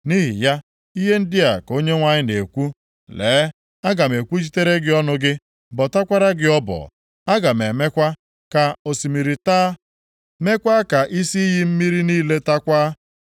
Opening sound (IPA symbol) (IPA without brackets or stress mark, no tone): n